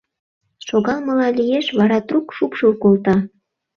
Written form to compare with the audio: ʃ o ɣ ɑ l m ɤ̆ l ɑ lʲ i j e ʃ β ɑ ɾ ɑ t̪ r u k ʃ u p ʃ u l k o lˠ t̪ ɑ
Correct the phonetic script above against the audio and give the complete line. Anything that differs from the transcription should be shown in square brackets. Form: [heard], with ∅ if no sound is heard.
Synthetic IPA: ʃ o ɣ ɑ l m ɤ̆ l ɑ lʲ i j e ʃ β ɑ ɾ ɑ t̪ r u k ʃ u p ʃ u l k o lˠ t̪ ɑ